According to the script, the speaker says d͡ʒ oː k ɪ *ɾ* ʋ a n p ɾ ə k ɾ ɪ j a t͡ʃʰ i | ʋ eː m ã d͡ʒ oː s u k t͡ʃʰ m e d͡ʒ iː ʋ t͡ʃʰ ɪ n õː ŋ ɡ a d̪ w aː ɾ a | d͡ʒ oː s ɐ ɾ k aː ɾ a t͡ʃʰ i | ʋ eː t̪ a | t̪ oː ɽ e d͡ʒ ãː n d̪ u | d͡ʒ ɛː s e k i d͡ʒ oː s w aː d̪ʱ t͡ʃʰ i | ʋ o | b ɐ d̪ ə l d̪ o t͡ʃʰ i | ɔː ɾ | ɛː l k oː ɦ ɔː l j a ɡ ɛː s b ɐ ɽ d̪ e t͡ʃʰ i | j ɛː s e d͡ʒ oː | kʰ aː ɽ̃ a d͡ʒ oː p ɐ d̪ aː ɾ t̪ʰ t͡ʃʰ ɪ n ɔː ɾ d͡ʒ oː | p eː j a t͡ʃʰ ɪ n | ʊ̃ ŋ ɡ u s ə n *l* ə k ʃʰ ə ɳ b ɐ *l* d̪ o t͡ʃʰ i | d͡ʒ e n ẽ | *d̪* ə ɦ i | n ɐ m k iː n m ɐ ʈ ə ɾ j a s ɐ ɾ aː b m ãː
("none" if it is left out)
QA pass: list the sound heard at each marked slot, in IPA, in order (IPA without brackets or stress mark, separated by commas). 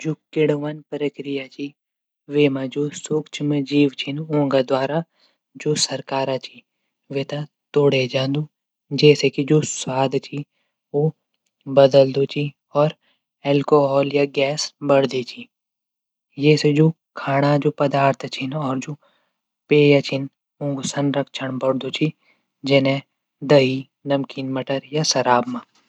ɽ, ɾ, ɽ, d̪